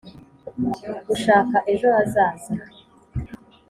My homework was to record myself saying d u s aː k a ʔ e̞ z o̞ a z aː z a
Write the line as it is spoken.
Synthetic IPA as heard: ɡ u ʃ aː k a ʔ e̞ ʒ o̞ a z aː z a